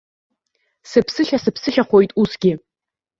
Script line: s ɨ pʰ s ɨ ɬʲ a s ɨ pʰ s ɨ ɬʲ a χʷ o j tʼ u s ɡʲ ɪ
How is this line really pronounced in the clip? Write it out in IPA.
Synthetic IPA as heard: s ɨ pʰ s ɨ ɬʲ a s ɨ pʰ s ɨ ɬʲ a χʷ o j tʼ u s ɡʲ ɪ